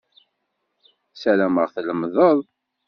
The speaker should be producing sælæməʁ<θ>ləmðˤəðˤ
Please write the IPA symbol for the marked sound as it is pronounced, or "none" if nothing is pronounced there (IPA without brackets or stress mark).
θ